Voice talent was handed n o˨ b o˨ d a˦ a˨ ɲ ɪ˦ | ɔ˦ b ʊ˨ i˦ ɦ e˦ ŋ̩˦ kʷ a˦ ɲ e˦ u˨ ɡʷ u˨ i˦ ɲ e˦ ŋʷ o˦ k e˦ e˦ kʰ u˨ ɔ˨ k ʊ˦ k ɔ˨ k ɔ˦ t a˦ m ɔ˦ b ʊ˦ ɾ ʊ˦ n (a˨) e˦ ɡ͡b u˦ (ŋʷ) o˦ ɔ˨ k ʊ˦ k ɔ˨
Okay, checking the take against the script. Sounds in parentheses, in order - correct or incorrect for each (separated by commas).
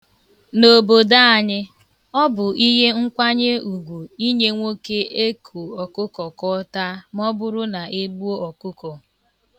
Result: correct, incorrect